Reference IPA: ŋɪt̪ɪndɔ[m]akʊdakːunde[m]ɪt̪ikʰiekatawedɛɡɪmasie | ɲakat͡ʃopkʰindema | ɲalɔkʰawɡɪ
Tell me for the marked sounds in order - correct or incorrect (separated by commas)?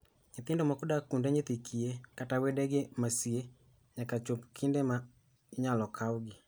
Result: correct, incorrect